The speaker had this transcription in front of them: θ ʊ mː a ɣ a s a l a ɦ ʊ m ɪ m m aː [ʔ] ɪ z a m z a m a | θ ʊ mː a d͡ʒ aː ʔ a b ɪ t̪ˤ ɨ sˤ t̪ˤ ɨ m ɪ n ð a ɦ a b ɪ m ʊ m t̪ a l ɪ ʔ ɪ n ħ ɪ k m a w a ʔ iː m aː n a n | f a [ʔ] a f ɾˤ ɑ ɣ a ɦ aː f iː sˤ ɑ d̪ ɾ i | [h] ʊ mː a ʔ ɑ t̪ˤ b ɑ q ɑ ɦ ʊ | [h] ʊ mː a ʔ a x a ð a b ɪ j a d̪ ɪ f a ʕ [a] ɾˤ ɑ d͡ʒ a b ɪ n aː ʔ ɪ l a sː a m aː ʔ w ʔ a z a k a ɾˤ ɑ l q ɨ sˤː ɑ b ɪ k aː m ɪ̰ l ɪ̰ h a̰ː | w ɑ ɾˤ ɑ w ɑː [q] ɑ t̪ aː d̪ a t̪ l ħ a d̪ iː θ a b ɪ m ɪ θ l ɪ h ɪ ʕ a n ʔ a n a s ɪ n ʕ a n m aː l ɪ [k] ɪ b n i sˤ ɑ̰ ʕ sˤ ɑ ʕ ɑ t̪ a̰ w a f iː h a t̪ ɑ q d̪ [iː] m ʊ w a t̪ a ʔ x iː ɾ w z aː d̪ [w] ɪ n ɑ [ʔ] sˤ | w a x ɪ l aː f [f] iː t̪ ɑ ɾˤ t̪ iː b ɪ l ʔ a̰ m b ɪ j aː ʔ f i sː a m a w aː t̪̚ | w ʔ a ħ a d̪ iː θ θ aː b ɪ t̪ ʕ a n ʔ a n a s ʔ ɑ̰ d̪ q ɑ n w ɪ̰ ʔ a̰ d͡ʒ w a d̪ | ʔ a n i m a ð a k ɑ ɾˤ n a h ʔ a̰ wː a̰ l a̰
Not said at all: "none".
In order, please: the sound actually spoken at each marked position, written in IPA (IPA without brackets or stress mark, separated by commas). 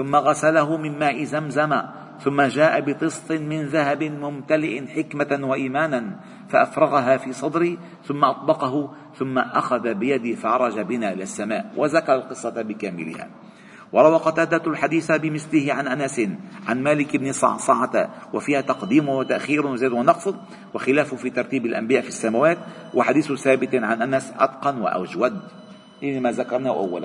ʔ, ʔ, θ, θ, ɑ, q, k, iː, w, q, f